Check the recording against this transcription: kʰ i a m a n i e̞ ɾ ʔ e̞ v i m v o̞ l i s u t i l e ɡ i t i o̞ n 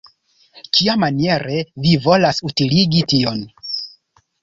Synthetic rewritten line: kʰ i a m a n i e̞ ɾ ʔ e̞ v i v o̞ l a s u t i l i ɡ i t i o̞ n